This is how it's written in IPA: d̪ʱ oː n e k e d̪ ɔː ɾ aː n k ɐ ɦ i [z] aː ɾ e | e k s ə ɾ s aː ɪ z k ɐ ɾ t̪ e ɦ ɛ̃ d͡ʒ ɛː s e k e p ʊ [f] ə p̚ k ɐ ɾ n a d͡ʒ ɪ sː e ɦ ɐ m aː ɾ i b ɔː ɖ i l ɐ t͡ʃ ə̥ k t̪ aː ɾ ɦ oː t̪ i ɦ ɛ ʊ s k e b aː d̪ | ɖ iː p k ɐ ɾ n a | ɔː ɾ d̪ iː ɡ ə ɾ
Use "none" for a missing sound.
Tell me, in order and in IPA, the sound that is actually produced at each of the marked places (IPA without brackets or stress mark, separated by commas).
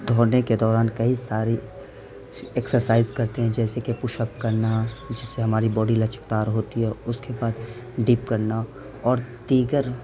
s, ʃ